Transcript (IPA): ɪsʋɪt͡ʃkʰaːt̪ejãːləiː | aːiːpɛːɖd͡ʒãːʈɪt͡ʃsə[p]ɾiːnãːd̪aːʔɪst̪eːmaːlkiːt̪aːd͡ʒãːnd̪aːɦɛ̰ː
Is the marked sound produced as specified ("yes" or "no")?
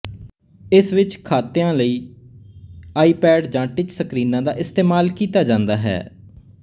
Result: no